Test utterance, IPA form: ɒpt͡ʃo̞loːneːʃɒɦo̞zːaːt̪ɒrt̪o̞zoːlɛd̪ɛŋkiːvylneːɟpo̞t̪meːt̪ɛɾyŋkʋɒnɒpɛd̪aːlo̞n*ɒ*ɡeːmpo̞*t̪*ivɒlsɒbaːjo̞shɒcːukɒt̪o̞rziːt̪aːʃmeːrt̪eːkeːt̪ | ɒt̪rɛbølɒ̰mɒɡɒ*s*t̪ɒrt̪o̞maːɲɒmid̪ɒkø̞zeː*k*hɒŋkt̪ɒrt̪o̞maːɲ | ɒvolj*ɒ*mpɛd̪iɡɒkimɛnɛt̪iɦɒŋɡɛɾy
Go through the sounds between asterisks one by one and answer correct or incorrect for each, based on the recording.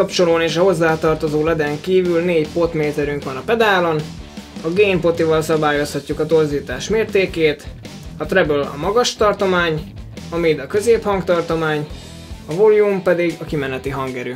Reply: correct, correct, incorrect, incorrect, incorrect

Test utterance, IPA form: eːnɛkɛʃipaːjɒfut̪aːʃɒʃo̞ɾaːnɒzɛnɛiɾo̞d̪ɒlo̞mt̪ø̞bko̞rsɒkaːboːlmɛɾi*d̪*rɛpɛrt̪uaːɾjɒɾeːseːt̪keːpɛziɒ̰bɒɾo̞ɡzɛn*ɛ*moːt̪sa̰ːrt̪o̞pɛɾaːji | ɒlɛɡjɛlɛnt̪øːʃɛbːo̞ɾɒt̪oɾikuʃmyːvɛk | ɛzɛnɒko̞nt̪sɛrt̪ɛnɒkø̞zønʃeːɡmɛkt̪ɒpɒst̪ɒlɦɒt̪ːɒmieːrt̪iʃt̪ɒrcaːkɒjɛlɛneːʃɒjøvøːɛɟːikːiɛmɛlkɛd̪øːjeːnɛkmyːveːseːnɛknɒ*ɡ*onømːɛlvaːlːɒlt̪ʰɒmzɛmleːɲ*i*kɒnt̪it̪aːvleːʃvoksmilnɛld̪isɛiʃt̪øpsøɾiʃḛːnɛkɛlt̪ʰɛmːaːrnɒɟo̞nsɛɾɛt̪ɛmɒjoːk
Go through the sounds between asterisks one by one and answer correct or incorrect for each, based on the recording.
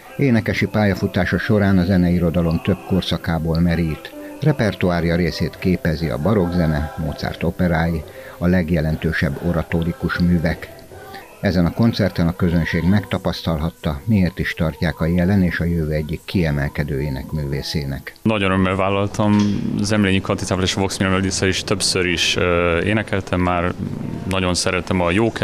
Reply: incorrect, correct, incorrect, correct

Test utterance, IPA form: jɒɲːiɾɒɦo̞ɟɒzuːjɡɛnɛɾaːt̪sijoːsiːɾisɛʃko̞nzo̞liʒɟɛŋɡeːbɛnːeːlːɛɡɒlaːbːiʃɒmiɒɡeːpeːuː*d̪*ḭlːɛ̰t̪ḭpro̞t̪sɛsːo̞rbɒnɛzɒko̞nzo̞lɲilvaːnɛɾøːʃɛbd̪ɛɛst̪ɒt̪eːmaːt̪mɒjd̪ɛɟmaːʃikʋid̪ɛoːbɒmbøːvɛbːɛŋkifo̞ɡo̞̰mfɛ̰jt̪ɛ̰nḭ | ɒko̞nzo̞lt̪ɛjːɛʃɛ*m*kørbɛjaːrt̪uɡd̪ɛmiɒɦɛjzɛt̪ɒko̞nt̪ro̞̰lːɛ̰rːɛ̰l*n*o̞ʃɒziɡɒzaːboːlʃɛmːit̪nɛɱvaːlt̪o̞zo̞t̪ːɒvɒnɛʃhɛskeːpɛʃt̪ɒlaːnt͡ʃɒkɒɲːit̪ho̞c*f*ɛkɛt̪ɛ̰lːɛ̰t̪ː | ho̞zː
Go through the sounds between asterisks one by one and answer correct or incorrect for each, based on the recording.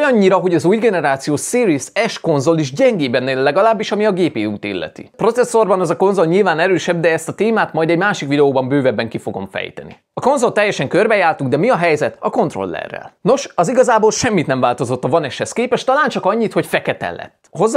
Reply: incorrect, incorrect, correct, correct

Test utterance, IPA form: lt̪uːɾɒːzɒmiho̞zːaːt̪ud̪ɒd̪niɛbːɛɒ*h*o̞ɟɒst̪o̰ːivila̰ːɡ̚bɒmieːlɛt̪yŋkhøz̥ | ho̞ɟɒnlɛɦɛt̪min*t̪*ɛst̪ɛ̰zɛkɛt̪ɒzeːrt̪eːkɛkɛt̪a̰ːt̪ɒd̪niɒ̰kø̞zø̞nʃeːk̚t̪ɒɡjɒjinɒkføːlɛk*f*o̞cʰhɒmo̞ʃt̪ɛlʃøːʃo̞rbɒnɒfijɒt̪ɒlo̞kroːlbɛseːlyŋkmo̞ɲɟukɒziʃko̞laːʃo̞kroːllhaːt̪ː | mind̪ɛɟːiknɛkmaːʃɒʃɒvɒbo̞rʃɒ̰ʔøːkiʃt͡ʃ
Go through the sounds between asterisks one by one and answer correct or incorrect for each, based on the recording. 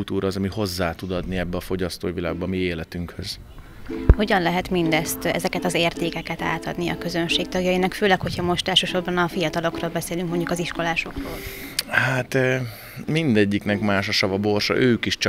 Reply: incorrect, incorrect, incorrect

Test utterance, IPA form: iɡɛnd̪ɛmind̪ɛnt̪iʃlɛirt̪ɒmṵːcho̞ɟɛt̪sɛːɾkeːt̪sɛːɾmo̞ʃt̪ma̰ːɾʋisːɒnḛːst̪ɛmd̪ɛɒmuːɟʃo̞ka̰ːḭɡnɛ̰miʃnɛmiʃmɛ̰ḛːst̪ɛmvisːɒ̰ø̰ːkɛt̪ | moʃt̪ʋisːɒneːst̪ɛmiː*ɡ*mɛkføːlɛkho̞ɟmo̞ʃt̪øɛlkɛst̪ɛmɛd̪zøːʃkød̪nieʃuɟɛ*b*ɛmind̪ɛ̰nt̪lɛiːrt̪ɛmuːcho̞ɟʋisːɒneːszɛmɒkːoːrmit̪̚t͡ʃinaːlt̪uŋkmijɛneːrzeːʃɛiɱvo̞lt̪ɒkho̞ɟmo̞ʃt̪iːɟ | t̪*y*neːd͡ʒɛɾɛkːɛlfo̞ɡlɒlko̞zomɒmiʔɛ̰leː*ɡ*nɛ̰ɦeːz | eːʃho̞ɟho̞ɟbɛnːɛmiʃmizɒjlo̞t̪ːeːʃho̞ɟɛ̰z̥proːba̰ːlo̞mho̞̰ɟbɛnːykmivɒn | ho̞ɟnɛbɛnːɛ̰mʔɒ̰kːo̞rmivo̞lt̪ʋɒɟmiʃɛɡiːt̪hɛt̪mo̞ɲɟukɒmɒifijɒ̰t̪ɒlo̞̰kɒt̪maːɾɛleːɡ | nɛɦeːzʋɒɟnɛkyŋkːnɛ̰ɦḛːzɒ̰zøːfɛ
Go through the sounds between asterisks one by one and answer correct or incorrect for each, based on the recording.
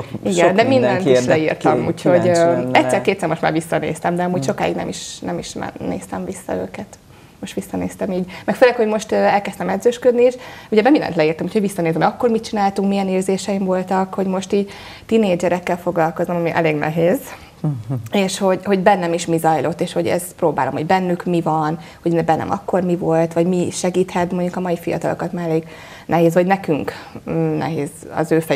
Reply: incorrect, correct, incorrect, correct

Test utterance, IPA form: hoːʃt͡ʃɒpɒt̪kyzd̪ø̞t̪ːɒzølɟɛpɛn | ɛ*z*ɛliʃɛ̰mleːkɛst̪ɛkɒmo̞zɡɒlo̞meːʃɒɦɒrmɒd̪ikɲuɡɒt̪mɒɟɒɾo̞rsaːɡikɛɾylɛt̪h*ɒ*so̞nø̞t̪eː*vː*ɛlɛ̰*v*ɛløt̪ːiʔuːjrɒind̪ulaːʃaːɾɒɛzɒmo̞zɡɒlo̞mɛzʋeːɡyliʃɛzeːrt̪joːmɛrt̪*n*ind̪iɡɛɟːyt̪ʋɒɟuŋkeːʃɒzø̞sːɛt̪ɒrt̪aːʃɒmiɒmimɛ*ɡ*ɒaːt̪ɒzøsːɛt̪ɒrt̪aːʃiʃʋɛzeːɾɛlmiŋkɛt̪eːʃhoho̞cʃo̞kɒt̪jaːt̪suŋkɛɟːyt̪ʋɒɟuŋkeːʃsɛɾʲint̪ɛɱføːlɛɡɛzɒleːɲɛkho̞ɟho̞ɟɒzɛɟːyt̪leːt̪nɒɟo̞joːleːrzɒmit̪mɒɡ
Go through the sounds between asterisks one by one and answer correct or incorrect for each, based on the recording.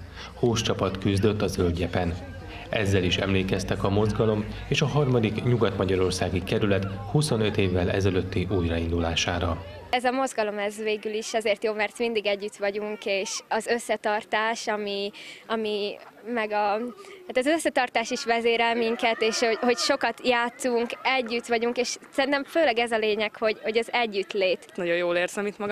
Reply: incorrect, incorrect, correct, incorrect, incorrect, correct

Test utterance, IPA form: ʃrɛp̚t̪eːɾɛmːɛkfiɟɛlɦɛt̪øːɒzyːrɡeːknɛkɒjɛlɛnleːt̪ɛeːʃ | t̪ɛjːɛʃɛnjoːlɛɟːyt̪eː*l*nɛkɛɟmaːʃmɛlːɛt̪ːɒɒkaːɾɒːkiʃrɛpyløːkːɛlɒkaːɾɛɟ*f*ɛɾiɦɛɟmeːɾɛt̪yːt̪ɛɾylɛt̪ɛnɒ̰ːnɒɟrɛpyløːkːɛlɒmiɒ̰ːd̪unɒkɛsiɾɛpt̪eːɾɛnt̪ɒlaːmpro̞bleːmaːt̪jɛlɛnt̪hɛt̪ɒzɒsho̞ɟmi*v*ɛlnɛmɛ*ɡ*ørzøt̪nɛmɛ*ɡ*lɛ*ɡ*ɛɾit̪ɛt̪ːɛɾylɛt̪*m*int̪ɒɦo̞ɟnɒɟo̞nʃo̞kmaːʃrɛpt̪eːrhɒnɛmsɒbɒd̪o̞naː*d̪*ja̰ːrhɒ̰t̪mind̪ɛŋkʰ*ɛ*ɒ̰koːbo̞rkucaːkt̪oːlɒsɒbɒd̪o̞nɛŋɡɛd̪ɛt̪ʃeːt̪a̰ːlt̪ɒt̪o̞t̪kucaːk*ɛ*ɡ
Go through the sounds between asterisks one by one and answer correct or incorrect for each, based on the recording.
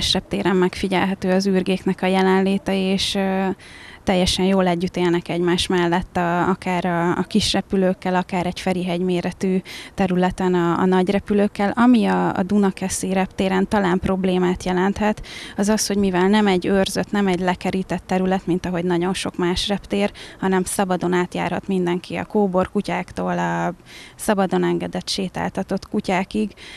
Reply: correct, correct, correct, incorrect, incorrect, incorrect, correct, incorrect, incorrect, incorrect

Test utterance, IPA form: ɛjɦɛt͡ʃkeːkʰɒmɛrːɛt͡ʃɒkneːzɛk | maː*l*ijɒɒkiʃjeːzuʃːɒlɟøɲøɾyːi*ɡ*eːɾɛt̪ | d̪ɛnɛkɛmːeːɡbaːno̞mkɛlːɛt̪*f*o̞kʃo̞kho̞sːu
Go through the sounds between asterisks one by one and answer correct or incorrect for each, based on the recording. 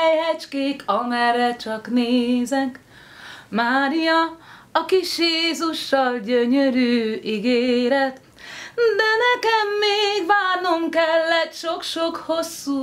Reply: incorrect, correct, incorrect

